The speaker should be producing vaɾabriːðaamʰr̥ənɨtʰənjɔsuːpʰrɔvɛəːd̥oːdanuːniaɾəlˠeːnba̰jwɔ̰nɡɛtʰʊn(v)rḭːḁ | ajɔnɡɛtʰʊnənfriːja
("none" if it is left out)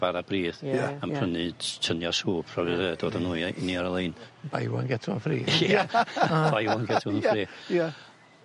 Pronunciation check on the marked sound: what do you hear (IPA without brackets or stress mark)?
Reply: f